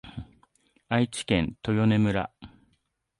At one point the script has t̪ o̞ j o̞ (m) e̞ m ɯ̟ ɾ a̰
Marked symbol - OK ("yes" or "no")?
no